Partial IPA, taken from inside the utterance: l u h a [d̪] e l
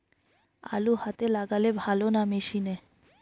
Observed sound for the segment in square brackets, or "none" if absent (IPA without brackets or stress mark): t̪